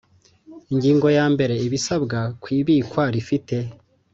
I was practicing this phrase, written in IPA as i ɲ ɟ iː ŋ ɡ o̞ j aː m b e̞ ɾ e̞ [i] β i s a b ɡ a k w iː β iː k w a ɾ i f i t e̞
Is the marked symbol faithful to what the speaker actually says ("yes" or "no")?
yes